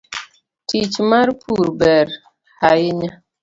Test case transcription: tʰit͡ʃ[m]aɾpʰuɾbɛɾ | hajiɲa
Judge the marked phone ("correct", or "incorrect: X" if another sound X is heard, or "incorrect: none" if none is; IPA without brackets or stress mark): correct